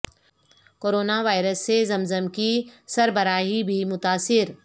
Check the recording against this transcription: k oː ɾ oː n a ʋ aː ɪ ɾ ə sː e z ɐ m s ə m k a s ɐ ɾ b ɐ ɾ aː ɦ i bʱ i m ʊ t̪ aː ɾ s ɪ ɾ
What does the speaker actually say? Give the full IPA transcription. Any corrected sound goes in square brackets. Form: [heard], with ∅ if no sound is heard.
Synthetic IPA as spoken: k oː ɾ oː n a ʋ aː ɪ ɾ ə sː e z ɐ m [z] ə m k [i] s ɐ ɾ b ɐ ɾ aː ɦ i bʱ i m ʊ t̪ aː [∅] s ɪ ɾ